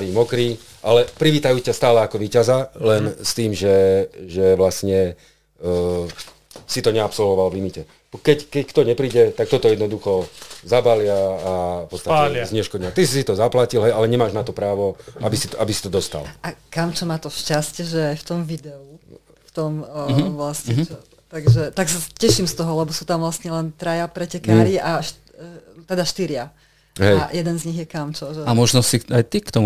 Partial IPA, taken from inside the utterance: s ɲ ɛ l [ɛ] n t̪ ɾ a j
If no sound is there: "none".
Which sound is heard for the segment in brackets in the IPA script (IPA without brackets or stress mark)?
ɛ